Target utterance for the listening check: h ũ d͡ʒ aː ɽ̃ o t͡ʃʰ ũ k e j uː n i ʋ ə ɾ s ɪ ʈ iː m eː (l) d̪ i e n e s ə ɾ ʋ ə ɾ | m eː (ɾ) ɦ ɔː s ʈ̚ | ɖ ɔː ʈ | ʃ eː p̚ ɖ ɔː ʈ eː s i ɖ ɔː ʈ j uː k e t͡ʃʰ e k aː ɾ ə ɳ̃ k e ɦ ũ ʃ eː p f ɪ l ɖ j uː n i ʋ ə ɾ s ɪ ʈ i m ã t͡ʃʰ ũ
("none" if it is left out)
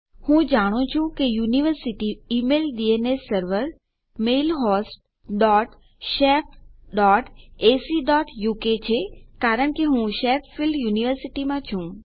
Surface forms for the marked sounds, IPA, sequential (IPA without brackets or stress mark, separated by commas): l, l